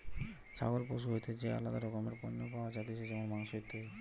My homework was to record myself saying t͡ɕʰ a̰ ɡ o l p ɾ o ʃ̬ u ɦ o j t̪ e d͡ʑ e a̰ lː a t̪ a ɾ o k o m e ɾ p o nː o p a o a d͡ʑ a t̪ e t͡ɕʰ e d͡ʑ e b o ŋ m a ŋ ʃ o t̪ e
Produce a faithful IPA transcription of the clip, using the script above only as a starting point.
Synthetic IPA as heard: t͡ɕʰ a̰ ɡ o l p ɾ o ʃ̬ u ɦ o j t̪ e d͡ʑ e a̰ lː a d̪ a ɾ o k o m e ɾ p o nː o p a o a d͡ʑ a t̪ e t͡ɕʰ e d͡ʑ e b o ŋ m a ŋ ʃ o t̪ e